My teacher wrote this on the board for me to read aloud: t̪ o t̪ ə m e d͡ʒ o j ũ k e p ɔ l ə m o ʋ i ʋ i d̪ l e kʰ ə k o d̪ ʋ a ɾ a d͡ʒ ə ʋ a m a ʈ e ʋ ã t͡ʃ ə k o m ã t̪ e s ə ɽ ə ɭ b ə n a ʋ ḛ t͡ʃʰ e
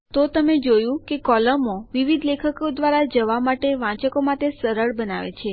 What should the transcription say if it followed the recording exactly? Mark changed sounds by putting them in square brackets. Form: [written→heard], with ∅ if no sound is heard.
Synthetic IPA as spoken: t̪ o t̪ ə m e d͡ʒ o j ũ k e [p→k] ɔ l ə m o ʋ i ʋ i d̪ l e kʰ ə k o d̪ ʋ a ɾ a d͡ʒ ə ʋ a m a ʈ e ʋ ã t͡ʃ ə k o m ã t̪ e s ə [ɽ→ɾ] ə ɭ b ə n a ʋ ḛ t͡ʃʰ e